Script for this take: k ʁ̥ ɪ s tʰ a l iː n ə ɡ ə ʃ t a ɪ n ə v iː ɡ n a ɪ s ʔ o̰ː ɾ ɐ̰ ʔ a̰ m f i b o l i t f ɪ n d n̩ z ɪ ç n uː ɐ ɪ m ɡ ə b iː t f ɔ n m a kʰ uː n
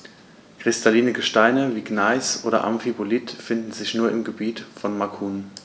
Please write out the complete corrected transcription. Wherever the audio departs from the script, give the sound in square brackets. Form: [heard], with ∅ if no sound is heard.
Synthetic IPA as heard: k ʁ̥ ɪ s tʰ a l iː n ə ɡ ə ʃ t a ɪ n ə v iː ɡ n a ɪ s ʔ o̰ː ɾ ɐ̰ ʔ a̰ m f i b o l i t f ɪ n d n̩ z ɪ ç n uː ɐ ɪ m ɡ ə b iː t f ɔ n m a kʰ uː n